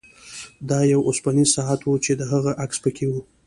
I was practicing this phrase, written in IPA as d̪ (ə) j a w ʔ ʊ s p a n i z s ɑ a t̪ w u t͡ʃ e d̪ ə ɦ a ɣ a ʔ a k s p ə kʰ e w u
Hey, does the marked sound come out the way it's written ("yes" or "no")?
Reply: no